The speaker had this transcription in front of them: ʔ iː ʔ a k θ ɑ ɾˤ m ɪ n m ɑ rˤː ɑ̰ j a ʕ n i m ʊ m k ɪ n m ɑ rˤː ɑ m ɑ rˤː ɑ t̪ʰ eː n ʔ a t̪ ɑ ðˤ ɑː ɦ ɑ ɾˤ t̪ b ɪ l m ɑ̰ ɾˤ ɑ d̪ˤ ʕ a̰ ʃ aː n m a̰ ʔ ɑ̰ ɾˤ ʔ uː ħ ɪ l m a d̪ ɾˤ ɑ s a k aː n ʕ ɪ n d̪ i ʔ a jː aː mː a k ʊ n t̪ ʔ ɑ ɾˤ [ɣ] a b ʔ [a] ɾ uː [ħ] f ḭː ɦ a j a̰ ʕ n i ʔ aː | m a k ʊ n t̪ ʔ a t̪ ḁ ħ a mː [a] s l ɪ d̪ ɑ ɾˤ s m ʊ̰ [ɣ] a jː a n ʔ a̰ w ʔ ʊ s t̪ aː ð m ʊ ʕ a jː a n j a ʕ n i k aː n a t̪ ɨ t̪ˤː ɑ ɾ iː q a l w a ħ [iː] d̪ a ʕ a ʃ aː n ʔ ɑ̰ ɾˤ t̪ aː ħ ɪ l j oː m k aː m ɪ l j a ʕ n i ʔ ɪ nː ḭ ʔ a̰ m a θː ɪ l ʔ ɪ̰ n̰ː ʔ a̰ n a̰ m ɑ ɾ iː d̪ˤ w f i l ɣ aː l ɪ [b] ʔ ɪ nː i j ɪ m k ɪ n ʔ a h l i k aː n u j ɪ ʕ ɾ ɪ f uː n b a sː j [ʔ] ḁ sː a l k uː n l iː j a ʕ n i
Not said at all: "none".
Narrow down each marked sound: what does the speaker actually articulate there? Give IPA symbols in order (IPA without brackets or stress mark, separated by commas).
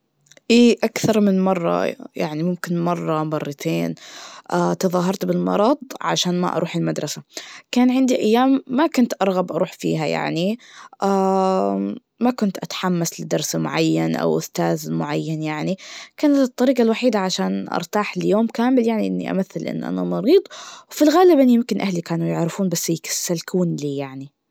ɣ, ɑ, ħ, a, ʕ, iː, b, k